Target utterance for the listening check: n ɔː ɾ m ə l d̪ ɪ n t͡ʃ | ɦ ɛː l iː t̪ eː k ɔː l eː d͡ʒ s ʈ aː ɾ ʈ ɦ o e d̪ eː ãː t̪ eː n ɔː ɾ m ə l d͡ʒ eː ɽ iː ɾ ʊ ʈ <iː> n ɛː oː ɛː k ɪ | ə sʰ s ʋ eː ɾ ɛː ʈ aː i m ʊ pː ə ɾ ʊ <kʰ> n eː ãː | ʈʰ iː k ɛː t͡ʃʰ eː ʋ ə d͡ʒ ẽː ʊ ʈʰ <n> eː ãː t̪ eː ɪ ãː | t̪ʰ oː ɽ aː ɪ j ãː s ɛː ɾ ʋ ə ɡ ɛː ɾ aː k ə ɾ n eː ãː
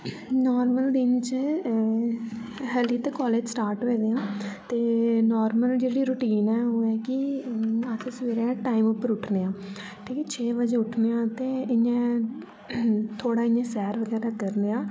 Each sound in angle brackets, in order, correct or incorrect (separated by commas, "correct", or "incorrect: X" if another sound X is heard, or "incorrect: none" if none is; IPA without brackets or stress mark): correct, incorrect: ʈʰ, correct